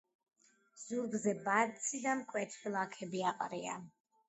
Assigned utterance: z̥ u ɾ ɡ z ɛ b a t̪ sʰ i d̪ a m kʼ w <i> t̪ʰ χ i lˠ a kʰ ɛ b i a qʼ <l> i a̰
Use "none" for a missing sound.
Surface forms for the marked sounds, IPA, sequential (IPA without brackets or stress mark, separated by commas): ɛ, ɾ